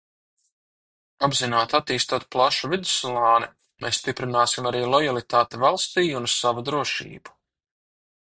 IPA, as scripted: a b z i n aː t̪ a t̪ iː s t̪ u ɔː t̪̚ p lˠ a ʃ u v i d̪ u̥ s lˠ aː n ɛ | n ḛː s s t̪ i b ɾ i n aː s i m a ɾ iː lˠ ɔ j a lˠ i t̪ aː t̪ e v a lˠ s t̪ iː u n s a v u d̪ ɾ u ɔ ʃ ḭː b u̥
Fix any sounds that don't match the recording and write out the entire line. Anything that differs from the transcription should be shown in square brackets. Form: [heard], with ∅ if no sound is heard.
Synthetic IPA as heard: a b z i n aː t̪ a t̪ iː s t̪ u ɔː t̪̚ p lˠ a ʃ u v i d̪ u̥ s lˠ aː n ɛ | [m] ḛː s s t̪ i [p] ɾ i n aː s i m a ɾ iː lˠ ɔ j a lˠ i t̪ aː t̪ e v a lˠ s t̪ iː u n s a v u d̪ ɾ u ɔ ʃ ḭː b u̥